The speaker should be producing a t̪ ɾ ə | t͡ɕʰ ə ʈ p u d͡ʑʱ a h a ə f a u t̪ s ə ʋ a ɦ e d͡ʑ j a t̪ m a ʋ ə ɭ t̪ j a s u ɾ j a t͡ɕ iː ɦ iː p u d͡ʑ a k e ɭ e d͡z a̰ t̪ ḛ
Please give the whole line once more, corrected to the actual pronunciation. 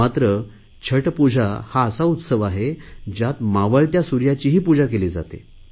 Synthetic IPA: a t̪ ɾ ə | t͡ɕʰ ə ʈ p u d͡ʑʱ a h a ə s a u t̪ s ə ʋ a ɦ e d͡ʑ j a t̪ m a ʋ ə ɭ t̪ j a s u ɾ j a t͡ɕ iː ɦ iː p u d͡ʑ a k e l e d͡z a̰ t̪ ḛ